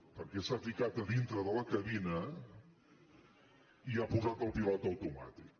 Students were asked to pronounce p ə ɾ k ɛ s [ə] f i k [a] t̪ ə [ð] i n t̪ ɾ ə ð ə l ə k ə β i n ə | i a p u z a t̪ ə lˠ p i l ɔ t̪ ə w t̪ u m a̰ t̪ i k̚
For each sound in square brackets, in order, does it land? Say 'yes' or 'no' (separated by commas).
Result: no, yes, yes